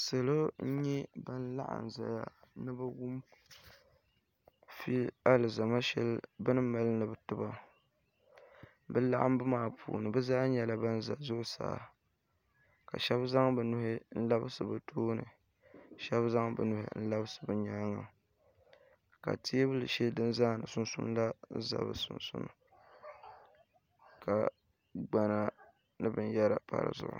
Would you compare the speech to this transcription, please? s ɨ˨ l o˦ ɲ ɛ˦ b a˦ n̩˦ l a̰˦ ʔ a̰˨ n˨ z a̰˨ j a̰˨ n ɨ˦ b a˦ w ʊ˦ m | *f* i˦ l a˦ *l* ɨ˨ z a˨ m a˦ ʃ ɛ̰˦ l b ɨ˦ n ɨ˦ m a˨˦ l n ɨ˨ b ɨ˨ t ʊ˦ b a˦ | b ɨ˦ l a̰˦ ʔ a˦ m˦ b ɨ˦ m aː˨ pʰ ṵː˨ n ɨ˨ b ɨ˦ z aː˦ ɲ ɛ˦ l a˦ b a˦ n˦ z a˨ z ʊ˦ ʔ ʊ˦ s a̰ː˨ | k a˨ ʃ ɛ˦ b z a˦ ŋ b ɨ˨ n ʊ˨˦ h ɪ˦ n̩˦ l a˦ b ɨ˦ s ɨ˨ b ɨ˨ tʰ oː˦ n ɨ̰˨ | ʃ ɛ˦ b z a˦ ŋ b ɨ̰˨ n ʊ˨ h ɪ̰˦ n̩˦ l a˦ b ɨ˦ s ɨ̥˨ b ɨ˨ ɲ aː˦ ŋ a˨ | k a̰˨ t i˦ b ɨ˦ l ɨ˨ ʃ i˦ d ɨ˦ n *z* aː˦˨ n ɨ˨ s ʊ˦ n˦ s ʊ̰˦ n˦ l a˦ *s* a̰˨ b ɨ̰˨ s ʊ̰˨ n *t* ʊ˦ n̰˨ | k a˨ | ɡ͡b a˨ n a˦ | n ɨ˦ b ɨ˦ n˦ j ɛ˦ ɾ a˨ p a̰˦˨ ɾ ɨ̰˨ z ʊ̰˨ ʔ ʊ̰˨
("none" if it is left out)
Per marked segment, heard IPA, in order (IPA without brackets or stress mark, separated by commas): f, l, z, z, s